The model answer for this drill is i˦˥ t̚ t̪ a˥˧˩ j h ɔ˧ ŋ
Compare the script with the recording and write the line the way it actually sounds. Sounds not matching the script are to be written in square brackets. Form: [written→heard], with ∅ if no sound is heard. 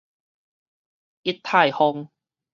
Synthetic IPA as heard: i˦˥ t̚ [t̪→t̪ʰ] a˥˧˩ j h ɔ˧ ŋ